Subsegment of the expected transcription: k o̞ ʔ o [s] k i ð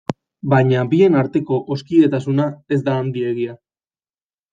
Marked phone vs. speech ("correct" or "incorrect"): correct